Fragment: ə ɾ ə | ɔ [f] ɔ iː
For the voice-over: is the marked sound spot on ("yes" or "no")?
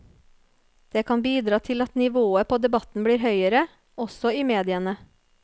no